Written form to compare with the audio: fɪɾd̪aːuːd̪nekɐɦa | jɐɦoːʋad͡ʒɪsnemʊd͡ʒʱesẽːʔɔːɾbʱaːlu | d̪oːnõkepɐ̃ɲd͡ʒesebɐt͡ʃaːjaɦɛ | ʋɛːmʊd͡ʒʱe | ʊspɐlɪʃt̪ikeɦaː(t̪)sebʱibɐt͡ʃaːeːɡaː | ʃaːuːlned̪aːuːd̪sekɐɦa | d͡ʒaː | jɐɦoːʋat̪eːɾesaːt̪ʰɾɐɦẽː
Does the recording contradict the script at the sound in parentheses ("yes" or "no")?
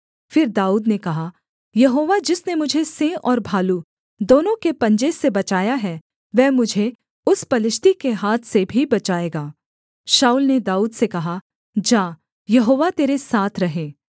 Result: yes